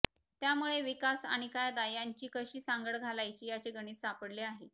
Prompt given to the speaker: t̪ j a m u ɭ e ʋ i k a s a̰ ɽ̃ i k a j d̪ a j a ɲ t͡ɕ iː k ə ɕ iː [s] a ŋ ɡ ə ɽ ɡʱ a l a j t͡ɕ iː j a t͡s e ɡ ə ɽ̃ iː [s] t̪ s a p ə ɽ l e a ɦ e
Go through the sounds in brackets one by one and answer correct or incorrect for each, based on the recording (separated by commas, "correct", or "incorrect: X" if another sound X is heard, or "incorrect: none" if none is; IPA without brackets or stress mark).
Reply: correct, incorrect: none